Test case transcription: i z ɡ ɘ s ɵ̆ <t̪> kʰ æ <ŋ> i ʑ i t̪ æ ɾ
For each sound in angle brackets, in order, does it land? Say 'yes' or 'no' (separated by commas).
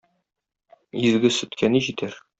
yes, no